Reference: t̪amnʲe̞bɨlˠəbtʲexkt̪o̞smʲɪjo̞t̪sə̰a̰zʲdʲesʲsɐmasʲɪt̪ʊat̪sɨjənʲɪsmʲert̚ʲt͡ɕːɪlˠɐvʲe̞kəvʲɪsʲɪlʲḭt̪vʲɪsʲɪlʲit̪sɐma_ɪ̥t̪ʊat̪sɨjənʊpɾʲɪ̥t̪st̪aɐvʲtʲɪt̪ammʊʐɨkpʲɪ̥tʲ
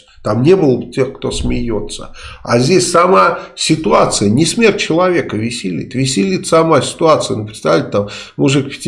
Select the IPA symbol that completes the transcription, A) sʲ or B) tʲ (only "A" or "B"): A